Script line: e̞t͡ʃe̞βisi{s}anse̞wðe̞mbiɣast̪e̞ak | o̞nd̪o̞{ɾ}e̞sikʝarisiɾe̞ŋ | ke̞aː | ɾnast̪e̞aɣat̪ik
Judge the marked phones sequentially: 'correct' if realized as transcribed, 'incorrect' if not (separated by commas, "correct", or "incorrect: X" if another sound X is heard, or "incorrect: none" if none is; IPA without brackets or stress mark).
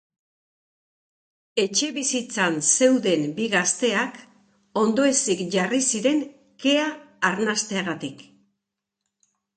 incorrect: t͡s, incorrect: none